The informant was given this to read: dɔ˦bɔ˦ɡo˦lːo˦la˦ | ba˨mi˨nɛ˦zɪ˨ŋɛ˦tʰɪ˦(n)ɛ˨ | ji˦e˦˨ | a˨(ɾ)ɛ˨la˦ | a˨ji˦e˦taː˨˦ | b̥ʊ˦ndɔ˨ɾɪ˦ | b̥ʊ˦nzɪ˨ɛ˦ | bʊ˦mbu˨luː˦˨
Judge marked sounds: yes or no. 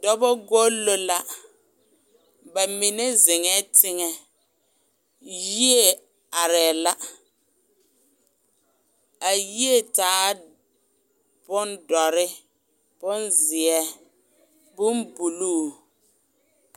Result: no, yes

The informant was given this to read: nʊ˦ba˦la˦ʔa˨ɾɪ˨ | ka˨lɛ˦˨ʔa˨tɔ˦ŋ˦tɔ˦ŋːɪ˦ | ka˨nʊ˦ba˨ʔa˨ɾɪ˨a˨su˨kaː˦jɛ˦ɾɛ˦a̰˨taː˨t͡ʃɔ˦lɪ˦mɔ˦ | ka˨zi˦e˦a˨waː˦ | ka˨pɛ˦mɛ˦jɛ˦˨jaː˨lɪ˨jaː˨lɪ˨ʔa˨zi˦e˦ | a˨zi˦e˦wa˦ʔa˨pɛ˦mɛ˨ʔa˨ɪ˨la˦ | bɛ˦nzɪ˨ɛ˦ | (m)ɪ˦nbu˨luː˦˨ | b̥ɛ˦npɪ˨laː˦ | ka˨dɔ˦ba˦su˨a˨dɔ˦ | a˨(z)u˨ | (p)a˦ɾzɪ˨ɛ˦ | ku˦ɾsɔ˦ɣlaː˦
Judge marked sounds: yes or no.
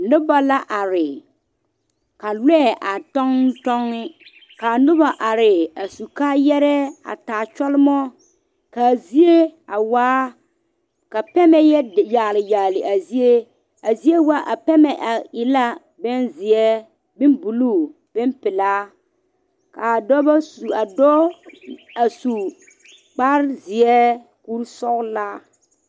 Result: no, no, no

